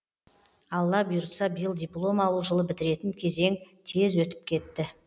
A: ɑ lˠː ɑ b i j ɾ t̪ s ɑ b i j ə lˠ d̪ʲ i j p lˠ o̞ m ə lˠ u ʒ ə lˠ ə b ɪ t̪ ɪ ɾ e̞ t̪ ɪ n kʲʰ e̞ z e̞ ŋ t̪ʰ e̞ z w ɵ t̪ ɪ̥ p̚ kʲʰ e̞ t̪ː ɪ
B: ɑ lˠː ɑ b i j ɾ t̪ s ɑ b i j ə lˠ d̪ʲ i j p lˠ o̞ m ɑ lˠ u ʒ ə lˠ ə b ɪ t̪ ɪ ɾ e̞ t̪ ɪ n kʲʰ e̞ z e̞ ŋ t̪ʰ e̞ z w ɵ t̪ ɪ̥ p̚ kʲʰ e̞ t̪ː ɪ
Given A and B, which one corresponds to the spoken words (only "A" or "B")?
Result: B